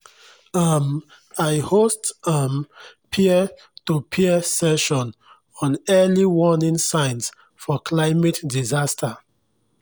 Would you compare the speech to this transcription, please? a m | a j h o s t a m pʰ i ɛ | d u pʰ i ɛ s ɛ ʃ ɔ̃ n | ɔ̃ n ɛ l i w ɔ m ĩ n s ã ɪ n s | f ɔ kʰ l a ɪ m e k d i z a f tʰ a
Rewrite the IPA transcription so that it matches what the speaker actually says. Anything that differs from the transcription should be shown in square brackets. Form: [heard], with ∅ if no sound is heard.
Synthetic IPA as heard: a m | a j h o s t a m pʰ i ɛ | [t] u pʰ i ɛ s ɛ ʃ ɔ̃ n | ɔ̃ n ɛ l i w ɔ [n] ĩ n s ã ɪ n s | f ɔ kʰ l a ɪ m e [t] d i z a [s] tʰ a